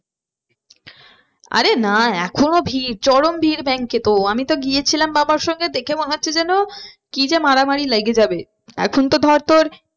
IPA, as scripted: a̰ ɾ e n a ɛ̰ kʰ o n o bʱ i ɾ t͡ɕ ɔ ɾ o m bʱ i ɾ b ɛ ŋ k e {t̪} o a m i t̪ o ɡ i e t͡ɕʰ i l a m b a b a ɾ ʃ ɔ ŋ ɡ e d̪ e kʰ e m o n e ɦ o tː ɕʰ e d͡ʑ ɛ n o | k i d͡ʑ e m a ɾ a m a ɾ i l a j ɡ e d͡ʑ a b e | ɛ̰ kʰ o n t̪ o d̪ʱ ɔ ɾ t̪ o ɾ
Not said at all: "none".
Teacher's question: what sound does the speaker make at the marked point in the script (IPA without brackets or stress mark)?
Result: t̪